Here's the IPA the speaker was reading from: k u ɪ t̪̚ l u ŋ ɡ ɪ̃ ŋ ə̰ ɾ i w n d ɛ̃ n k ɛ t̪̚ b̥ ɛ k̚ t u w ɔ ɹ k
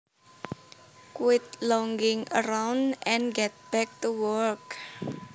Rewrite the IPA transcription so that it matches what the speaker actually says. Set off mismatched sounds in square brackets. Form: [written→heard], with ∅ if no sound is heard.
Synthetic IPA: k [u→w] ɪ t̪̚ l [u→ɔ] ŋ ɡ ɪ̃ ŋ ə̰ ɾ [i→a] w n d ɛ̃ n [k→ɡ] ɛ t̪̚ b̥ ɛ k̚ t u w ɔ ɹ k